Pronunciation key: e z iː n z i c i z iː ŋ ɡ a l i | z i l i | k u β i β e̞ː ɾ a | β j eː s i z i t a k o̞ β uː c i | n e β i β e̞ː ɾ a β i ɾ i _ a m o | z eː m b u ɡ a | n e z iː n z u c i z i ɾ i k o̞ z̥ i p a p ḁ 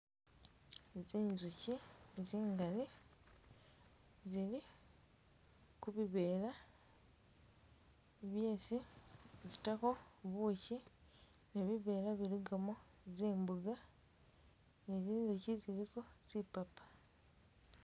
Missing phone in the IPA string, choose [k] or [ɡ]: ɡ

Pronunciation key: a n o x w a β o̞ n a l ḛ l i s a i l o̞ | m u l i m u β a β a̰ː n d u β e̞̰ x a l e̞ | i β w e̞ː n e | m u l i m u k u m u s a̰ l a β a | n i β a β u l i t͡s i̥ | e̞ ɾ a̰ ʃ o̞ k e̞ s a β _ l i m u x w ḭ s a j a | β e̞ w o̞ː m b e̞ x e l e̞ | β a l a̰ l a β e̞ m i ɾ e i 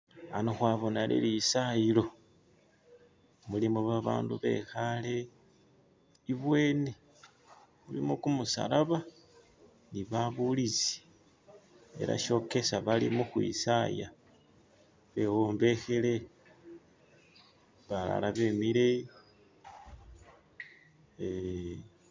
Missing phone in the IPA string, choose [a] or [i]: a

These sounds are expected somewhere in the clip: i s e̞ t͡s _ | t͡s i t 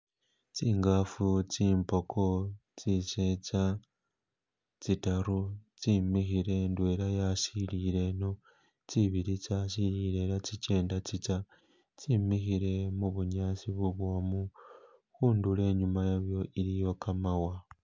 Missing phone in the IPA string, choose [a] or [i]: a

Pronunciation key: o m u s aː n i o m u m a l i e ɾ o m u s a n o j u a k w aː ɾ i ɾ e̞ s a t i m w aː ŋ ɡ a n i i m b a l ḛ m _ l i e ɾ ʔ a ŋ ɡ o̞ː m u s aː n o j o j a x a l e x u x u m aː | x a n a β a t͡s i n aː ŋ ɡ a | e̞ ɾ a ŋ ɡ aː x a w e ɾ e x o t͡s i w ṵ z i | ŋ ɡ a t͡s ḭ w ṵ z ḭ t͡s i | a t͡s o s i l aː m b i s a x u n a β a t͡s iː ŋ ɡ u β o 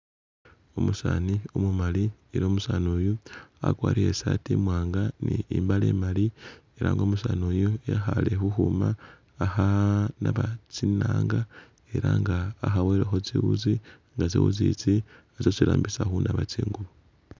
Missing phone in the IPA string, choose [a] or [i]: a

